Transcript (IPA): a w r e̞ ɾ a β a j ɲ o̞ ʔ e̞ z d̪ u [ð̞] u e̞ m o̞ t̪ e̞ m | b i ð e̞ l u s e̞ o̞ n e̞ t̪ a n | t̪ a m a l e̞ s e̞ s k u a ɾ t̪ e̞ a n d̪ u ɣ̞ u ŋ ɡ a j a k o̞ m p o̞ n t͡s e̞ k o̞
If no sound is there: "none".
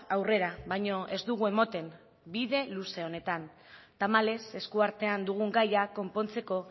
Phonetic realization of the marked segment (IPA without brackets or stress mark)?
ɣ̞